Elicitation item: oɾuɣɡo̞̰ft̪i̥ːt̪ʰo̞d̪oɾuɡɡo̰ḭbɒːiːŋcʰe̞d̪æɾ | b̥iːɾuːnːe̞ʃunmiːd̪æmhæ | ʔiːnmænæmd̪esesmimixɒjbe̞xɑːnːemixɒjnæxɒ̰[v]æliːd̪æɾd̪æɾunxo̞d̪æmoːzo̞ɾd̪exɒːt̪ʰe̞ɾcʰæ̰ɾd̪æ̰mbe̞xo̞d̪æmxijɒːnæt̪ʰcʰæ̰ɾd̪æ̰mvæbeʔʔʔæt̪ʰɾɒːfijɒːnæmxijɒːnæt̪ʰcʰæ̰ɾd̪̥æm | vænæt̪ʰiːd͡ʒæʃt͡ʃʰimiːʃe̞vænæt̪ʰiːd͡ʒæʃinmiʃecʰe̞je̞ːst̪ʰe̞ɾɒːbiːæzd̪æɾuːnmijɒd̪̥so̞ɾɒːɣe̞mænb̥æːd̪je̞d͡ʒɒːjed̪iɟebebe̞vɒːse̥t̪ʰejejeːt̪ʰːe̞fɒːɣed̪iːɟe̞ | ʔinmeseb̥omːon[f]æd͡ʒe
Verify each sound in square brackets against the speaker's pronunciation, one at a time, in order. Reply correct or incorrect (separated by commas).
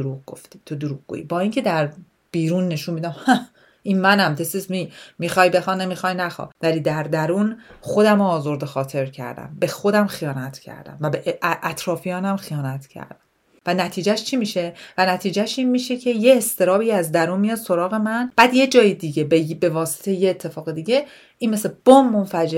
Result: correct, correct